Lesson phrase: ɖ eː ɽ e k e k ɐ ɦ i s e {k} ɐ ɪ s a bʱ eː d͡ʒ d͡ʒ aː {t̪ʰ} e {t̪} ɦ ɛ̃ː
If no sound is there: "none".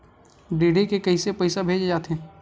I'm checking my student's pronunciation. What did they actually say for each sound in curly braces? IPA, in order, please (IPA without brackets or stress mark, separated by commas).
p, t̪, none